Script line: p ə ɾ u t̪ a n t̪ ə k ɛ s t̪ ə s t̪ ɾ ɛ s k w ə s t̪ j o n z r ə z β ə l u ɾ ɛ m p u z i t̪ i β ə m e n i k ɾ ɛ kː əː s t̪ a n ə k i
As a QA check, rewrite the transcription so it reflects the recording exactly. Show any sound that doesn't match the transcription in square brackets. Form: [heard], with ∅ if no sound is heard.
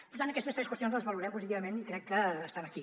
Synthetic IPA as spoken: p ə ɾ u t̪ a n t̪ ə k ɛ s t̪ ə s t̪ ɾ ɛ s k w ə s t̪ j o n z [l] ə z β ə l u ɾ ɛ m p u z i t̪ i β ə m e n i k ɾ ɛ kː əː s t̪ a n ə k i